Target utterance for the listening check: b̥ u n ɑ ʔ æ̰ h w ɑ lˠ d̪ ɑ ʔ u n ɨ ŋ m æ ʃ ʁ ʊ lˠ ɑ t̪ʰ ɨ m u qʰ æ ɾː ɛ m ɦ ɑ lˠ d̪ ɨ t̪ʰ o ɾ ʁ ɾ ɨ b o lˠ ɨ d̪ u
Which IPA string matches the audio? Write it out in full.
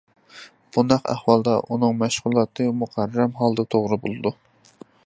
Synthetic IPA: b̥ u n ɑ q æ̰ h w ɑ lˠ d̪ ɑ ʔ u n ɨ ŋ m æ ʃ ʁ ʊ lˠ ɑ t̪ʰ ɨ m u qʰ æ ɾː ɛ m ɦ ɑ lˠ d̪ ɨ t̪ʰ o ʁ ɾ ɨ b o lˠ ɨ d̪ u